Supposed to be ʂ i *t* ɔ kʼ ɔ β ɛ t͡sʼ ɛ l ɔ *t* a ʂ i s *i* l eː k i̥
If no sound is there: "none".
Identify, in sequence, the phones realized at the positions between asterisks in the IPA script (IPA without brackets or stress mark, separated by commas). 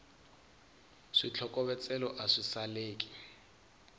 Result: t͡ɬʰ, ʔ, a